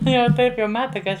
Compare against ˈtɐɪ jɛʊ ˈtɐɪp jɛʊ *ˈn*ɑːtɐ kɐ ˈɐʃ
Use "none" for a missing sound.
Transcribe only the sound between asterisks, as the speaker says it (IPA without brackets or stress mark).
m